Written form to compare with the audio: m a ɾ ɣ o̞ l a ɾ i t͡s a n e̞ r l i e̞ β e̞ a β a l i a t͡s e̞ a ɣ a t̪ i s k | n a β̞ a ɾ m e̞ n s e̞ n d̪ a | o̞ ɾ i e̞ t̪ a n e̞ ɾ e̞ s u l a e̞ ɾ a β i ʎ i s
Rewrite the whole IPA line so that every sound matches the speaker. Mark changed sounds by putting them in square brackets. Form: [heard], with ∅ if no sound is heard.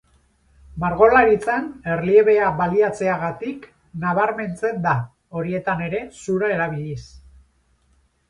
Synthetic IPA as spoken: m a ɾ ɣ o̞ l a ɾ i t͡s a n e̞ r l i e̞ β e̞ a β a l i a t͡s e̞ a ɣ a t̪ i [∅] k | n a β̞ a ɾ m e̞ n [t͡s] e̞ n d̪ a | o̞ ɾ i e̞ t̪ a n e̞ ɾ e̞ s u [ɾ] a e̞ ɾ a β i ʎ i s